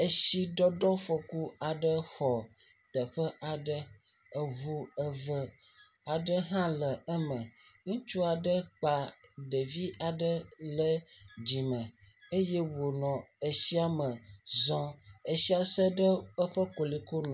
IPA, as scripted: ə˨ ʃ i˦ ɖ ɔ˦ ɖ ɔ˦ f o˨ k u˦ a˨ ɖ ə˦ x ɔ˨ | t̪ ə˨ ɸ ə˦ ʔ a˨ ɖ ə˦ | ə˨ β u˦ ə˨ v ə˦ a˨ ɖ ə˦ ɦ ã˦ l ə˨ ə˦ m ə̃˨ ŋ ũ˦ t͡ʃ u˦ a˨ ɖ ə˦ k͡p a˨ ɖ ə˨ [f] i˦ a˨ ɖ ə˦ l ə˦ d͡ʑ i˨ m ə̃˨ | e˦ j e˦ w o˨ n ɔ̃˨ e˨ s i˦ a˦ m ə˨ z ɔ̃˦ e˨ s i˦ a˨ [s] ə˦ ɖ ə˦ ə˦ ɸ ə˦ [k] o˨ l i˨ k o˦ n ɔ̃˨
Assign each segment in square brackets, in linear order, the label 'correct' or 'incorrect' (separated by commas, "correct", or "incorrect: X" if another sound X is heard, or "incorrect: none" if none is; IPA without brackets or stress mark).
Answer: incorrect: v, correct, correct